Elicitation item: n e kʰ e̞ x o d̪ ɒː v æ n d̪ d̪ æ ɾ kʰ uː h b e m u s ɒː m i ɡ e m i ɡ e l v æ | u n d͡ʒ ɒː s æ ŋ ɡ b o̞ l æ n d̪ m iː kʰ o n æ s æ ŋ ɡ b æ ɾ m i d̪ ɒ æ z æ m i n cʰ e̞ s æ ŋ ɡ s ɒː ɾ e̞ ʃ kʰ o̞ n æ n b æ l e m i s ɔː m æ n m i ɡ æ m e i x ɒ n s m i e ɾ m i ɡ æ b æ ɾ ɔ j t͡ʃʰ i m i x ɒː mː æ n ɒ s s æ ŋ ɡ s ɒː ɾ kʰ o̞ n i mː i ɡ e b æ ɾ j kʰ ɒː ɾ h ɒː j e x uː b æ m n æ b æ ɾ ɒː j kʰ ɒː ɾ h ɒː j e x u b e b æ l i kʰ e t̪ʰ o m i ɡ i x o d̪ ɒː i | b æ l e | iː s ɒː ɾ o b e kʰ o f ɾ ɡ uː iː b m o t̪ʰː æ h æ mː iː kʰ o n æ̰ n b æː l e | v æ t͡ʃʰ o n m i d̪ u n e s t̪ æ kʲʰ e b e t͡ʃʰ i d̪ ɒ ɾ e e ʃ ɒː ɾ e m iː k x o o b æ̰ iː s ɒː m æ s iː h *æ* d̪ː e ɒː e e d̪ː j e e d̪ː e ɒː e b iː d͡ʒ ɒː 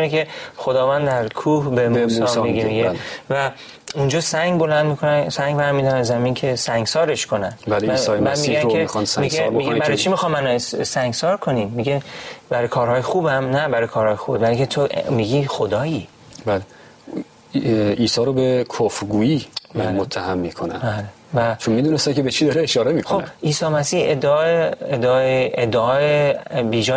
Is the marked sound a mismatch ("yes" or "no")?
yes